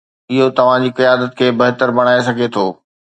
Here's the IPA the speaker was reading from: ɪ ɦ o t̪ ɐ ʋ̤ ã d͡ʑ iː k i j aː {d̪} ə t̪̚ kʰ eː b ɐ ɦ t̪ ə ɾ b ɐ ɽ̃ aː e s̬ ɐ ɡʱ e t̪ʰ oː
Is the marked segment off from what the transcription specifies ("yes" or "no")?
no